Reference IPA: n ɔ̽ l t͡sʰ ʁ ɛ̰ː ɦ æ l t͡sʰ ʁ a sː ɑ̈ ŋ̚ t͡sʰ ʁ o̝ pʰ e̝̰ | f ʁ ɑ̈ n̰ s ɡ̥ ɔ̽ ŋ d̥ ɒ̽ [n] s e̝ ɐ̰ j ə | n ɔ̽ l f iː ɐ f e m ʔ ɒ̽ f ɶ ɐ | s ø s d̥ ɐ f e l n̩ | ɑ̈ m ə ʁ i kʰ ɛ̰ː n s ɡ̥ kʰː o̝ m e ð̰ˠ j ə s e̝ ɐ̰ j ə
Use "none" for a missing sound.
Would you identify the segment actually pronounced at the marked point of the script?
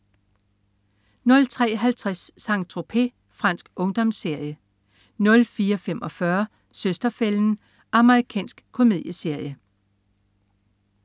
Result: m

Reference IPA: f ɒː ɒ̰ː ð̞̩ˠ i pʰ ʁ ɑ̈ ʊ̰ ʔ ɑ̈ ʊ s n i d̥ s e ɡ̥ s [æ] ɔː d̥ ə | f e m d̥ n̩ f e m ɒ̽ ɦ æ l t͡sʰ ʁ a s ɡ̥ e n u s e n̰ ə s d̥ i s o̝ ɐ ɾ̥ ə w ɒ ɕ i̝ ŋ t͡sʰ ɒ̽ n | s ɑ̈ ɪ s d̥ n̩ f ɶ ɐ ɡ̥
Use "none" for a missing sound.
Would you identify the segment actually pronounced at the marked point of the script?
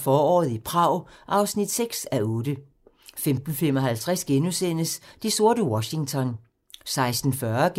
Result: æ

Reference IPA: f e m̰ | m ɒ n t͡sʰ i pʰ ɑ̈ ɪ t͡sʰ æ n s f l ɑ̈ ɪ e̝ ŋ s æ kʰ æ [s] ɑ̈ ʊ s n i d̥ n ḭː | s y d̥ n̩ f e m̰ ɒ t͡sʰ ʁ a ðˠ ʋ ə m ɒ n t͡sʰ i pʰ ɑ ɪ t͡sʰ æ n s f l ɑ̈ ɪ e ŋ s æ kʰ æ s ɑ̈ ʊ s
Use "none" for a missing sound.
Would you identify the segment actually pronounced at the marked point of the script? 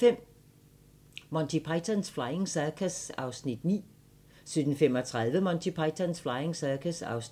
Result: s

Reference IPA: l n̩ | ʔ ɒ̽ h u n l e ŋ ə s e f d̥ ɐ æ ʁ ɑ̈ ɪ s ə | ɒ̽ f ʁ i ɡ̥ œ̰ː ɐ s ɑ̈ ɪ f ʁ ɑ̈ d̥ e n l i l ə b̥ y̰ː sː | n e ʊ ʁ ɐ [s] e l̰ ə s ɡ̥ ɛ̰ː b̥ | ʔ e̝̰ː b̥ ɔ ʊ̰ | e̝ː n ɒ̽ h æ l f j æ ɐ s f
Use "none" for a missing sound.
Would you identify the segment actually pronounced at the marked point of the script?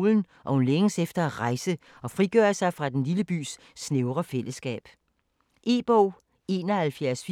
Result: f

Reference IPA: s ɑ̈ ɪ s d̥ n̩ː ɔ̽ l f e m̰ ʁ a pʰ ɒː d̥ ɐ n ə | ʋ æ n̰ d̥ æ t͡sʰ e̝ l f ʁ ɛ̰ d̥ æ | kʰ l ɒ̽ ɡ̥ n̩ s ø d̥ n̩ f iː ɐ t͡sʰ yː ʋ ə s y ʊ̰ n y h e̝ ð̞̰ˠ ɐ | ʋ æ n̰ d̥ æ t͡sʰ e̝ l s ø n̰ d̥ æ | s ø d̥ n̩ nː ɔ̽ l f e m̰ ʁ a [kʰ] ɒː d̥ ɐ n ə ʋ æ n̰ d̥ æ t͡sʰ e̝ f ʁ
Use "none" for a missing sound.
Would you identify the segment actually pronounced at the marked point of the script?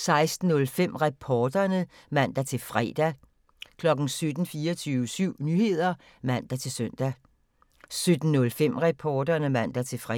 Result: pʰ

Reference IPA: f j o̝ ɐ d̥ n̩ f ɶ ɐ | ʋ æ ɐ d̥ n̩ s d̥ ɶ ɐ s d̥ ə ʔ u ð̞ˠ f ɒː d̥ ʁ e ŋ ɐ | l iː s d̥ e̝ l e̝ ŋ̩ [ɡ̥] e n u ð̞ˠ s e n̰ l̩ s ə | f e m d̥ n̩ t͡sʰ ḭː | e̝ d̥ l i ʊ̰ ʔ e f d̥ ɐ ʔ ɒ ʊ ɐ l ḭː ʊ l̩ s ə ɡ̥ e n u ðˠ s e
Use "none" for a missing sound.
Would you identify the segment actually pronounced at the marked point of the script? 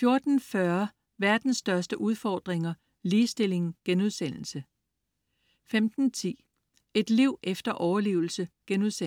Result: ɡ̥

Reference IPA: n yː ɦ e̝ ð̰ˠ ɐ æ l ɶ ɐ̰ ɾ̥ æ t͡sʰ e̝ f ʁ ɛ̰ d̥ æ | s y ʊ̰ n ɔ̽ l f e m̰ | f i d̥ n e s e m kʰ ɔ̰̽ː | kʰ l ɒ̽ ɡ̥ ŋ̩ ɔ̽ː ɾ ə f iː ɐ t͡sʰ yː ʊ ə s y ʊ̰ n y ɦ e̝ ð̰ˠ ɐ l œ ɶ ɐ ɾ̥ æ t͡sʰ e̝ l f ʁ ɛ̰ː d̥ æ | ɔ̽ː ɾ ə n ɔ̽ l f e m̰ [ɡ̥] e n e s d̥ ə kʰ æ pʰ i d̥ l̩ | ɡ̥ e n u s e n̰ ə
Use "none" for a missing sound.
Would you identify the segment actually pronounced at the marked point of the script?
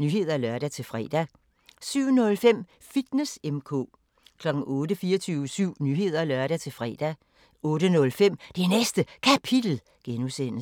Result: d̥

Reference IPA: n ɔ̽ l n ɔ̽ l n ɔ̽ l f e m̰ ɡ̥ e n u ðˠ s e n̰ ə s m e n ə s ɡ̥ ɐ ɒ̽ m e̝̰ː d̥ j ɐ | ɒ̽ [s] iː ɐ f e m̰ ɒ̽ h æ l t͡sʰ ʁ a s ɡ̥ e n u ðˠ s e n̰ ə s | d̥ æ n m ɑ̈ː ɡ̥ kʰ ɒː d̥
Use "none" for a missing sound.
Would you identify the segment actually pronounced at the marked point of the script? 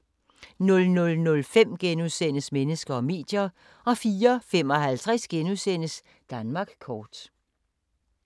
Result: f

